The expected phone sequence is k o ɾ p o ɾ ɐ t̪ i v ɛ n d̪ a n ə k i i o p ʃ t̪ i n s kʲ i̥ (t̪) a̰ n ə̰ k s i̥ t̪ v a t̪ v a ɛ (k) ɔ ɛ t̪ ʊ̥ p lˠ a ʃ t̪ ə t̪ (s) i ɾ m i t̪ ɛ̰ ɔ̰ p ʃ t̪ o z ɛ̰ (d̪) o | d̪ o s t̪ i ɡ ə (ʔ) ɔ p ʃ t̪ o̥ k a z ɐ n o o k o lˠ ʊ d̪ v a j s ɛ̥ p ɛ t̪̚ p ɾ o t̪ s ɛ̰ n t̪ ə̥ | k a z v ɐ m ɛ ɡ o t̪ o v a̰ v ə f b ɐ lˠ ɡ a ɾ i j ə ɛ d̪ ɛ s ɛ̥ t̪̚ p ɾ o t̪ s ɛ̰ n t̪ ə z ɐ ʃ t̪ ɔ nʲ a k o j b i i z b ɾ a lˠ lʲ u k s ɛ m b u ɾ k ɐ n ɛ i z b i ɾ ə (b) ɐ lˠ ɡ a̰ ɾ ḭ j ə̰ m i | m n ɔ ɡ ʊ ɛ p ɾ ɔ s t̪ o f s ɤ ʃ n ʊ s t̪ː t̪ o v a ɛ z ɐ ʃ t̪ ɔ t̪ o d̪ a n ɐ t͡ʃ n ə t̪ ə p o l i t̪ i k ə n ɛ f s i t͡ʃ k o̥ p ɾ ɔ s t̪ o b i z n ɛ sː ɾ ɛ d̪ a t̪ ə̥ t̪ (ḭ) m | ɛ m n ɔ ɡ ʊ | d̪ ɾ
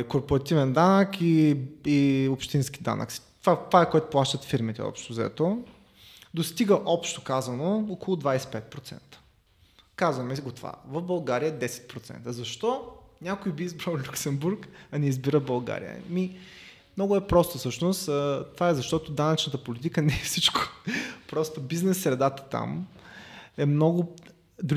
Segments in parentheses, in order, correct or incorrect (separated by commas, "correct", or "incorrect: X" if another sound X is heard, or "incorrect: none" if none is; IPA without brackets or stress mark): incorrect: d̪, correct, incorrect: f, incorrect: t̪, correct, correct, incorrect: a̰